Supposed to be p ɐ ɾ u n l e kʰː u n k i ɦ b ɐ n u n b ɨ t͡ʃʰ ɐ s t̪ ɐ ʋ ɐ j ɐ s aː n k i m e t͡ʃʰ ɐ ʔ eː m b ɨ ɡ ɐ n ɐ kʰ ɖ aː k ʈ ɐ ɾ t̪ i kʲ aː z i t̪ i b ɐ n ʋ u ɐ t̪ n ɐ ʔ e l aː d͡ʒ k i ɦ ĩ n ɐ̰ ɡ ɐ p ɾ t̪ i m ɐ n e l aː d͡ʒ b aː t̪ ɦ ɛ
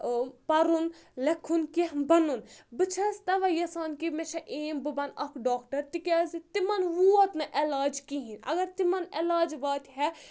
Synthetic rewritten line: p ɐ ɾ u n l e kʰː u n k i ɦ b ɐ n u n b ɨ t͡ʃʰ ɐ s t̪ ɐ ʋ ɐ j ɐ s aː n k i m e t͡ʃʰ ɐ ʔ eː m b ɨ b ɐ n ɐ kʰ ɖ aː k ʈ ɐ ɾ t̪ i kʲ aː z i t̪ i m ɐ n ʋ u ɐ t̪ n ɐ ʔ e l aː d͡ʒ k i ɦ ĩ n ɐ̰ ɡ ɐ ɾ t̪ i m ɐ n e l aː d͡ʒ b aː t̪ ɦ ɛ